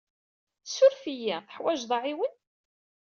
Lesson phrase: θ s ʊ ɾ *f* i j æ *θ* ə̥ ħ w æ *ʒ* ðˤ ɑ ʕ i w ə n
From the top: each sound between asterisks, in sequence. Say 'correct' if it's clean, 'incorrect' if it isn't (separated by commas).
correct, correct, correct